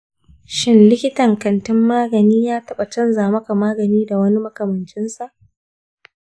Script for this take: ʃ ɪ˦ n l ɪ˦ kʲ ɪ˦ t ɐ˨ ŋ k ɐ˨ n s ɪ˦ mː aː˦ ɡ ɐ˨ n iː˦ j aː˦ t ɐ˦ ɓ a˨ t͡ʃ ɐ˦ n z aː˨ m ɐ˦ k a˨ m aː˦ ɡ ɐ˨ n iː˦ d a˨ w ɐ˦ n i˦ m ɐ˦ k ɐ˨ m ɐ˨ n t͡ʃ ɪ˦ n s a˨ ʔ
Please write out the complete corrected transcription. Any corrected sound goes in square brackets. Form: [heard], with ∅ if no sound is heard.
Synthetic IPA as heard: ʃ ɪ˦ n l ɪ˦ kʲ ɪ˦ t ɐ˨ ŋ k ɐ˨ n [t] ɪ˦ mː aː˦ ɡ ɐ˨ n iː˦ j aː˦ t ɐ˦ ɓ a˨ t͡ʃ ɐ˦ n z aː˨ m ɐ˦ k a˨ m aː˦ ɡ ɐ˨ n iː˦ d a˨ w ɐ˦ n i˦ m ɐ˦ k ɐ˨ m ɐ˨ n t͡ʃ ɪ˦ n s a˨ ʔ